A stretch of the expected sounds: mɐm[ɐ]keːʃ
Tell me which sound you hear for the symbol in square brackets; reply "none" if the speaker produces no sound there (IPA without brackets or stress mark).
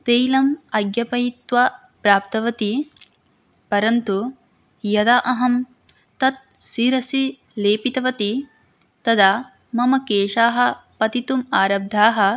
ɐ